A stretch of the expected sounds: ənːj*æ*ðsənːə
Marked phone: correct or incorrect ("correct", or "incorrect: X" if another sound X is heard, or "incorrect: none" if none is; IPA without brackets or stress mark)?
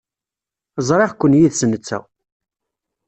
incorrect: i